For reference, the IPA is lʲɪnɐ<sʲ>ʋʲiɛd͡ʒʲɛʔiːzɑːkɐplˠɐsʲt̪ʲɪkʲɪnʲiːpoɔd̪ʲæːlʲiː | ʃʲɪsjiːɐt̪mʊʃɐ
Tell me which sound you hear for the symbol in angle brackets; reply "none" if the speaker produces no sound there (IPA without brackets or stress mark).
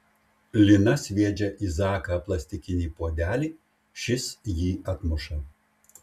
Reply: sʲ